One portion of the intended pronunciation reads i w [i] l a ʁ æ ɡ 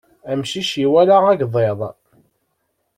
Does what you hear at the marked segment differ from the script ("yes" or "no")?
yes